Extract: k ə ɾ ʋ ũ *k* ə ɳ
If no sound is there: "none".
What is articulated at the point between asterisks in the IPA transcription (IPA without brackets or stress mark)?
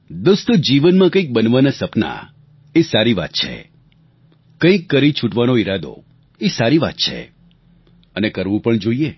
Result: p